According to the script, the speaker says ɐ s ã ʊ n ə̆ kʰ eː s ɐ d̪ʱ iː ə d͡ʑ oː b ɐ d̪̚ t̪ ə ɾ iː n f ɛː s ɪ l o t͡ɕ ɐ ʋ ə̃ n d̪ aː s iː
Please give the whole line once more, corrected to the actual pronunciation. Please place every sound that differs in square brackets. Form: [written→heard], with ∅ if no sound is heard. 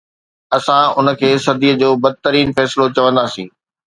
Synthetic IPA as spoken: ɐ s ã ʊ n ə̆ kʰ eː s ɐ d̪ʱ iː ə d͡ʑ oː b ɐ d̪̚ t̪ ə ɾ iː n f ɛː s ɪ l o t͡ɕ ɐ ʋ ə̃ n d̪ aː s [iː→ĩː]